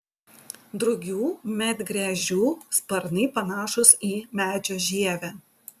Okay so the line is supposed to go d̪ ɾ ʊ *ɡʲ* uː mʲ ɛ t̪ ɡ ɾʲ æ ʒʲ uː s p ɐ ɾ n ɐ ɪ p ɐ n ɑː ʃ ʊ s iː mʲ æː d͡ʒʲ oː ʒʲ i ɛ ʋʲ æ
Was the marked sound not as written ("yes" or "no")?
no